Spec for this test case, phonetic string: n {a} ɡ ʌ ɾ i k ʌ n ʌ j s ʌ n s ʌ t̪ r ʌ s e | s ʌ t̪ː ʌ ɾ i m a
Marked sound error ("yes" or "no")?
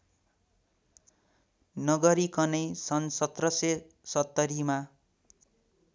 yes